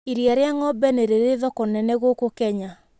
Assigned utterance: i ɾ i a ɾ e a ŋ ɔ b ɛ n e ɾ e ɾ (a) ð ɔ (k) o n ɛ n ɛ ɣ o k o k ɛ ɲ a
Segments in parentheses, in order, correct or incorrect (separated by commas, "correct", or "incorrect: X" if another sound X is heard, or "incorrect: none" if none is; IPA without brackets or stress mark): incorrect: e, correct